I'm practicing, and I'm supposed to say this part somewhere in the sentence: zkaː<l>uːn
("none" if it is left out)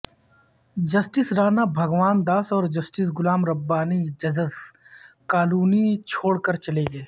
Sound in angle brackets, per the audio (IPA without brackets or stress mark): l